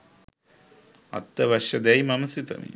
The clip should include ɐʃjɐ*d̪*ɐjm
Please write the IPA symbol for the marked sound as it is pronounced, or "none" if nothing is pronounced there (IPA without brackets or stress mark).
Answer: d̪